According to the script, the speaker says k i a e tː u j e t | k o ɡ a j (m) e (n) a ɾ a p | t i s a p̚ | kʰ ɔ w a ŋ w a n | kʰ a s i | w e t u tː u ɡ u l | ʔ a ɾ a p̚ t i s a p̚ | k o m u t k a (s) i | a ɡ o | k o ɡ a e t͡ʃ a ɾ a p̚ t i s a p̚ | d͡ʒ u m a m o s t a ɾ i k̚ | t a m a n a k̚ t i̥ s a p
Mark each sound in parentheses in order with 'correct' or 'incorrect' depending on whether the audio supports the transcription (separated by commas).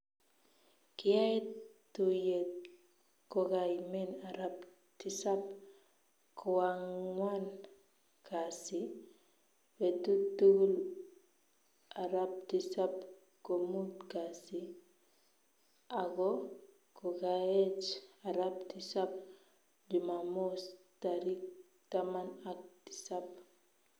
correct, correct, correct